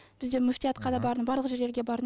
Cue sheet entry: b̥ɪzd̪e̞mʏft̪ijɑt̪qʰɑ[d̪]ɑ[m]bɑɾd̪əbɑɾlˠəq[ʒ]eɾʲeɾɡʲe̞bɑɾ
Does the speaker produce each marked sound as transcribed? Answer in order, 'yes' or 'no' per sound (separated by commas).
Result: yes, no, yes